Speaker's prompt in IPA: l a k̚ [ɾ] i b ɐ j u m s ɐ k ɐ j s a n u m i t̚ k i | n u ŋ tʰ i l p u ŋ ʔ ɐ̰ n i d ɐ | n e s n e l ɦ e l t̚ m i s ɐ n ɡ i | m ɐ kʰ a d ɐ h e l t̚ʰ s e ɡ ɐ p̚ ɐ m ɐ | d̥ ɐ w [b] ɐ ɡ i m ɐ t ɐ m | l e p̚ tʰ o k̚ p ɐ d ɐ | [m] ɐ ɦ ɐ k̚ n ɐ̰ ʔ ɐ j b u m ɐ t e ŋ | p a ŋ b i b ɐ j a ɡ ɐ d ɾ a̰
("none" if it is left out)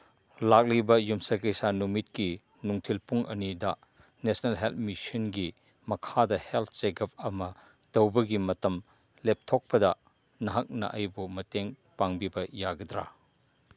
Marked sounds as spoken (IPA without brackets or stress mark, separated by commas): l, b, n